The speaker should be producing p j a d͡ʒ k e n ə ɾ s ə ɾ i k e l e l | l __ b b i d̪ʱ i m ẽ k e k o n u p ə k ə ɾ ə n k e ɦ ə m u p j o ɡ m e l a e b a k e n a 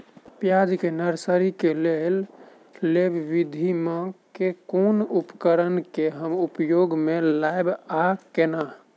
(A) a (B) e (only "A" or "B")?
B